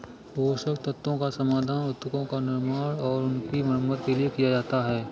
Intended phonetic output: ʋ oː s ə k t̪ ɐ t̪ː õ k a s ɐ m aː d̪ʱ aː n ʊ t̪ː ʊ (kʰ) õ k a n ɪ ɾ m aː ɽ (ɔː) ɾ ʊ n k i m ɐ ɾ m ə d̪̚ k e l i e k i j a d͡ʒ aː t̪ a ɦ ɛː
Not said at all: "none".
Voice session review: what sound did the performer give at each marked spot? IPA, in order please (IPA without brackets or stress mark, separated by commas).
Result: k, ɔː